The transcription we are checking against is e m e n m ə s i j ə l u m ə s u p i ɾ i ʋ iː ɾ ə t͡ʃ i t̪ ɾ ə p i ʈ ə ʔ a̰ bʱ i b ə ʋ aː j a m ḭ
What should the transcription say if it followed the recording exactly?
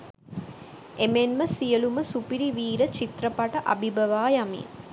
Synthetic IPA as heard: e m e n m ə s i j ə l u m ə s u p i ɾ i ʋ iː ɾ ə t͡ʃ i t̪ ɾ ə p a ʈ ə ʔ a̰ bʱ i b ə ʋ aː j a m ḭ